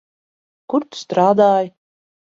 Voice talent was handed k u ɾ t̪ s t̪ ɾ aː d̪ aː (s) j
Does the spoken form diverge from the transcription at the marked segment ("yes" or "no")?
yes